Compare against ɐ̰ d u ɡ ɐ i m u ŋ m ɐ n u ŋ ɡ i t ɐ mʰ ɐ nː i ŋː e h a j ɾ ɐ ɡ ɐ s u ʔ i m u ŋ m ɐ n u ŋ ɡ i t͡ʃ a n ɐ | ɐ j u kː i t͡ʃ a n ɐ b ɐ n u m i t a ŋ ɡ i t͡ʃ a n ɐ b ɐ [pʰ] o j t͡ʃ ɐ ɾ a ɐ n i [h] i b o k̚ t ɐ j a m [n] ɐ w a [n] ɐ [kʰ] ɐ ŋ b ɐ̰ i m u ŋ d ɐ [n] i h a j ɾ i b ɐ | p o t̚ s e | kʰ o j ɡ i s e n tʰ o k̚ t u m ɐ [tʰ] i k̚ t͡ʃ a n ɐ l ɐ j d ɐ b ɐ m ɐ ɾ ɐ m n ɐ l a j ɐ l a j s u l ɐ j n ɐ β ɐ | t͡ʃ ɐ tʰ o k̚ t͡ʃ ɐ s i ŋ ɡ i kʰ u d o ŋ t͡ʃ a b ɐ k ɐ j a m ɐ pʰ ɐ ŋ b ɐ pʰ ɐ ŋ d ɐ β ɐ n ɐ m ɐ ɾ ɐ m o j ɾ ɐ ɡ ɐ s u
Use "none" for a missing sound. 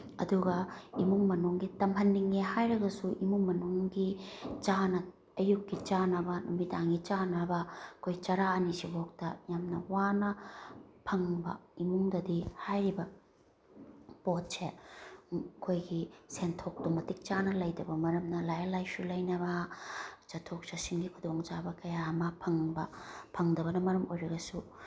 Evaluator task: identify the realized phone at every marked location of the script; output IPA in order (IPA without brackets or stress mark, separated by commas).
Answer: kʰ, s, n, n, pʰ, d, t